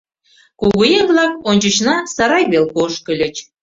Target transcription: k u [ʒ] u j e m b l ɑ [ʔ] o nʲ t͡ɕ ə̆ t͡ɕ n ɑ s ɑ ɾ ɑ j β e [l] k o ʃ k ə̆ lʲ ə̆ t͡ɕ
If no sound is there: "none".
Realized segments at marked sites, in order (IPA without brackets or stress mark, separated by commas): ɣ, k, l